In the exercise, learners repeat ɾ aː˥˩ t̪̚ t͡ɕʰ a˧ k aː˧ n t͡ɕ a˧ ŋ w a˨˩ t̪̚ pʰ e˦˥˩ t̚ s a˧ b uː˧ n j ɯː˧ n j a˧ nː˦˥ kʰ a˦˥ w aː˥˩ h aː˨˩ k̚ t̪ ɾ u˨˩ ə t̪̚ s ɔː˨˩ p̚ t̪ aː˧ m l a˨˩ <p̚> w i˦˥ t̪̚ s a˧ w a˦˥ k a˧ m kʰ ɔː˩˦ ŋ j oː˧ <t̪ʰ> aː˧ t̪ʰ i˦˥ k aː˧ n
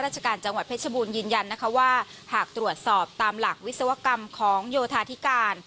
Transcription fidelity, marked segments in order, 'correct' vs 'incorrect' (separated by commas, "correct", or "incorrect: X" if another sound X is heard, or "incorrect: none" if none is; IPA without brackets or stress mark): incorrect: k̚, correct